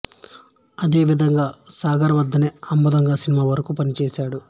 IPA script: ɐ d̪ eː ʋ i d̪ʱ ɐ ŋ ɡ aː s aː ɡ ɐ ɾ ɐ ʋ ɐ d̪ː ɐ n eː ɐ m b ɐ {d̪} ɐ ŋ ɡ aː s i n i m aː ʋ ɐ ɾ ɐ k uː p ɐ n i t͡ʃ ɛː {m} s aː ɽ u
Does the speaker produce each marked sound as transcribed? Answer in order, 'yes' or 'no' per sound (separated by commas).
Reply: yes, no